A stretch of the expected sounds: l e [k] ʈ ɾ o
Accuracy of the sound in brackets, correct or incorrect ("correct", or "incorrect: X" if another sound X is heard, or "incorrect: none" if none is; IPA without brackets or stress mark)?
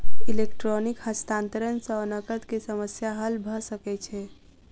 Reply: correct